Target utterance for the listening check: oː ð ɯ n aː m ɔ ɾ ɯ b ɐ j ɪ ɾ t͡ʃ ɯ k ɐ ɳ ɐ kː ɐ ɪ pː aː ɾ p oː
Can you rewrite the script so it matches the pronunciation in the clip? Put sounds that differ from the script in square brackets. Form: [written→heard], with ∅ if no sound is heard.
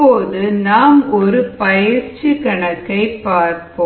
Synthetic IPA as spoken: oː ð ɯ n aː m ɔ ɾ ɯ [b→p] ɐ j ɪ ɾ t͡ʃ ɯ k ɐ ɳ ɐ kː ɐ ɪ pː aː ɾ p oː

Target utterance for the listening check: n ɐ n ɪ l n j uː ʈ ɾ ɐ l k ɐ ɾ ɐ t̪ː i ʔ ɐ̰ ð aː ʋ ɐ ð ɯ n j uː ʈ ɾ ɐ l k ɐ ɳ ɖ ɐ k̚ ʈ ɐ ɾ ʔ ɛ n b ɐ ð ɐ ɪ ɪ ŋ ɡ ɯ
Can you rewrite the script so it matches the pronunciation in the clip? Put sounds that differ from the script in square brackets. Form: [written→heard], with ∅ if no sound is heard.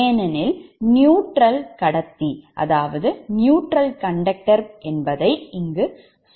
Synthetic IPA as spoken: n ɐ n ɪ l n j uː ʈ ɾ ɐ l k ɐ [ɾ→ɽ] ɐ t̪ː i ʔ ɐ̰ ð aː ʋ ɐ ð ɯ n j uː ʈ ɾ ɐ l k ɐ ɳ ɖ ɐ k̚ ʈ ɐ ɾ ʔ ɛ n b ɐ ð ɐ ɪ ɪ ŋ ɡ ɯ

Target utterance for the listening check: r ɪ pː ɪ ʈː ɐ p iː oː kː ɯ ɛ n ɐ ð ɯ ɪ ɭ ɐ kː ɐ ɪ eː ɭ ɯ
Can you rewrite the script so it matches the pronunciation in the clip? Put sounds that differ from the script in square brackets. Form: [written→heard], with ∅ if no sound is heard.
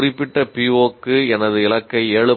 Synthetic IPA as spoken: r ɪ pː ɪ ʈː ɐ p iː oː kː ɯ ɛ n ɐ ð ɯ ɪ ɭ ɐ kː ɐ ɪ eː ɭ ɯ

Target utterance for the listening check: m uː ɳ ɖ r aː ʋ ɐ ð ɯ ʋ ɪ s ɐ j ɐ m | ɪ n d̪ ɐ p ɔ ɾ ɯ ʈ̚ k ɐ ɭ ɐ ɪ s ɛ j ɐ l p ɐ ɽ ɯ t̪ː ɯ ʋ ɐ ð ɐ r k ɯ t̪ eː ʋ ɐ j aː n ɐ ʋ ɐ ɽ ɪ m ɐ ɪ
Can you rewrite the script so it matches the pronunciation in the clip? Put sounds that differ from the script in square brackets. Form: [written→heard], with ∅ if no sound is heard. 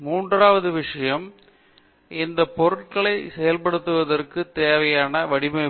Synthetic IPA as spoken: m uː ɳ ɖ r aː ʋ ɐ ð ɯ ʋ ɪ [s→ʂ] ɐ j ɐ m | ɪ n d̪ ɐ p ɔ ɾ ɯ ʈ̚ k ɐ ɭ ɐ ɪ s ɛ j ɐ l p ɐ ɽ ɯ t̪ː ɯ ʋ ɐ ð ɐ r k ɯ t̪ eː ʋ ɐ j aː n ɐ ʋ ɐ ɽ ɪ m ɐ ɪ

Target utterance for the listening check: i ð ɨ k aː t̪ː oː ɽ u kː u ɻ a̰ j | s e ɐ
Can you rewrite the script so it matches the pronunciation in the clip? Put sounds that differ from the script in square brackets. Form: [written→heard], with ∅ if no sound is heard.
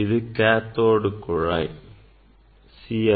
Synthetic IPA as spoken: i ð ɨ k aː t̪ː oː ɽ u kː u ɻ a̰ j | s [e→i] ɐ

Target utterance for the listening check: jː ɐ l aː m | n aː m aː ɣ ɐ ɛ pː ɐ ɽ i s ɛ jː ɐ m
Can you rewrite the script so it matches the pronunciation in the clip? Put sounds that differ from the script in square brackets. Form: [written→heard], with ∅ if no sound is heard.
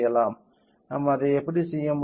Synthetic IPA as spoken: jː ɐ l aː m | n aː m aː [ɣ→ð] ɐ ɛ pː ɐ ɽ i s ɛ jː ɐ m

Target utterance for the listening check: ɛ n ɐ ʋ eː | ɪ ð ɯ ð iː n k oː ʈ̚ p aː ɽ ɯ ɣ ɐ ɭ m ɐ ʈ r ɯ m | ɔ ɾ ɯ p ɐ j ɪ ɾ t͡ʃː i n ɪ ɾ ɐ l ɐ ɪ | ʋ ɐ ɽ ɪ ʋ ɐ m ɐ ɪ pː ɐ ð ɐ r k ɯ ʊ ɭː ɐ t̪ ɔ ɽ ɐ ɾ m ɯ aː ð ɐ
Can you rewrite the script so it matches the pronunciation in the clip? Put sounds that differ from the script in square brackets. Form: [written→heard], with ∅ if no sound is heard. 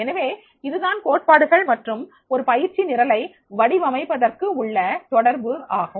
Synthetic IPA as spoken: ɛ n ɐ ʋ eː | ɪ ð ɯ ð [iː→aː] n k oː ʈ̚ p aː ɽ ɯ ɣ ɐ ɭ m ɐ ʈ r ɯ m | ɔ ɾ ɯ p ɐ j ɪ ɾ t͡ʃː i n ɪ ɾ ɐ l ɐ ɪ | ʋ ɐ ɽ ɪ ʋ ɐ m ɐ ɪ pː ɐ ð ɐ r k ɯ ʊ ɭː ɐ t̪ ɔ ɽ ɐ ɾ [m→b] ɯ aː [ð→ɣ] ɐ

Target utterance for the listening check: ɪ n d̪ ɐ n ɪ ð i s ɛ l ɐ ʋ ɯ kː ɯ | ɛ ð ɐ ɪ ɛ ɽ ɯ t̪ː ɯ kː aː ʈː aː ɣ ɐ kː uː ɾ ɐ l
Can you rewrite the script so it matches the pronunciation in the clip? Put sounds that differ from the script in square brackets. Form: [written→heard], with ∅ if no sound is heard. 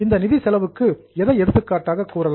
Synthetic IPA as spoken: ɪ n d̪ ɐ n ɪ ð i s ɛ l ɐ ʋ ɯ kː ɯ | ɛ ð ɐ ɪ ɛ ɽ ɯ t̪ː ɯ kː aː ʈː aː ɣ ɐ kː uː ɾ ɐ l

